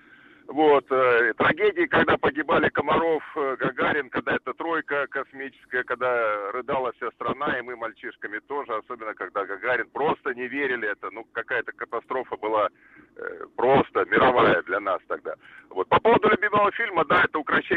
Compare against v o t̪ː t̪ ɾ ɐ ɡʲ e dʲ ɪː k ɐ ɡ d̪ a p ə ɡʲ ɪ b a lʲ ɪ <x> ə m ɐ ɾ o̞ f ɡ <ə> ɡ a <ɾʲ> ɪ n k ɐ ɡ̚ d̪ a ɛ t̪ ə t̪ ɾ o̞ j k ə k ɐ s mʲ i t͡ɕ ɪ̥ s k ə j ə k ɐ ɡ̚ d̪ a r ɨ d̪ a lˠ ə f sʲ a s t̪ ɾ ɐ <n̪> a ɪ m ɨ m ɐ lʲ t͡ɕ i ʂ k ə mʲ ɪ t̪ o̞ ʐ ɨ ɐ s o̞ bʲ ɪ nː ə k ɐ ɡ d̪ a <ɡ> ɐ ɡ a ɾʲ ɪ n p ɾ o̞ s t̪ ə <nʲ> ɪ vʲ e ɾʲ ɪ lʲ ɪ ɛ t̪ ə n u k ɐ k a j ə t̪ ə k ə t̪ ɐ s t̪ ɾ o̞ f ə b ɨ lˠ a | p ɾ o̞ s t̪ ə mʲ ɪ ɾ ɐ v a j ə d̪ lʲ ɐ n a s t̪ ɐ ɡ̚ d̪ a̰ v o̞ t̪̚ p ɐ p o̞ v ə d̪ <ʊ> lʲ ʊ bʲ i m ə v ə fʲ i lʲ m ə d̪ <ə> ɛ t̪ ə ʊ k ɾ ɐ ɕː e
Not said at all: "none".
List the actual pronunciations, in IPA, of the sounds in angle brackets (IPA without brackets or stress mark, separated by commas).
k, ɐ, ɾʲ, n̪, ɡ, nʲ, ʊ, a